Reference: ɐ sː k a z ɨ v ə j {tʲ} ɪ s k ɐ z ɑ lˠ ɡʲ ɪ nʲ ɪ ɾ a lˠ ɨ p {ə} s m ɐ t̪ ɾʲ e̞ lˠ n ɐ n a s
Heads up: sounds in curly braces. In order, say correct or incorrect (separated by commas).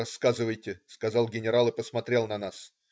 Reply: correct, correct